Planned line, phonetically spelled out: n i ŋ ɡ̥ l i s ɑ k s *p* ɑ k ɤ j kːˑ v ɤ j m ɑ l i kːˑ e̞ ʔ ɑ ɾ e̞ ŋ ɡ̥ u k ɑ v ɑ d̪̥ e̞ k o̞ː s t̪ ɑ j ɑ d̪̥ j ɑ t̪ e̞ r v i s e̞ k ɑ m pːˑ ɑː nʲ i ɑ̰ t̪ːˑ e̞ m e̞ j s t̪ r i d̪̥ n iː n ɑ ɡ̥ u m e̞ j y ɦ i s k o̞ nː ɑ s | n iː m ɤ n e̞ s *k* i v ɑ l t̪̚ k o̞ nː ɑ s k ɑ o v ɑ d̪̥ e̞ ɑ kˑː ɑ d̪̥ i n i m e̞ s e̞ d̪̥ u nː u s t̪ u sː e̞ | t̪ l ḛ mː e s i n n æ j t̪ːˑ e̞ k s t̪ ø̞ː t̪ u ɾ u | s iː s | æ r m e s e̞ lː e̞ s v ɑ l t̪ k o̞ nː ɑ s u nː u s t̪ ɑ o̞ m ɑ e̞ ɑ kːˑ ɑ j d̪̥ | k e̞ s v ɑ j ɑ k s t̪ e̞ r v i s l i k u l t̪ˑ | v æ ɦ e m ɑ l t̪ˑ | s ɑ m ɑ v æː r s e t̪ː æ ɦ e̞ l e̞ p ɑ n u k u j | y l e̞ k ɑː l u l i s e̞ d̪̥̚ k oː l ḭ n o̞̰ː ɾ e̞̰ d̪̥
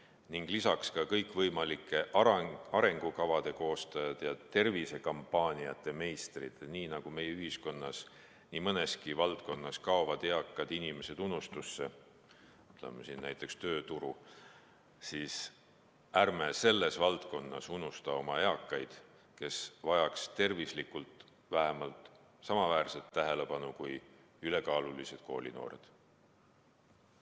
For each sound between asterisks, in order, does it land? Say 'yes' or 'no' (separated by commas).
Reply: no, yes